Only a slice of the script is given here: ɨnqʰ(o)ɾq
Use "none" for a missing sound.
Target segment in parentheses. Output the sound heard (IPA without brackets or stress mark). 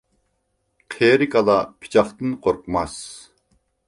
o